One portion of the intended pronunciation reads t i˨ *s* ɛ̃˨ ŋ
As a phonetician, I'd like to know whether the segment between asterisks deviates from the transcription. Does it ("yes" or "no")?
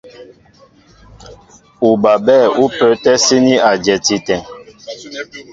yes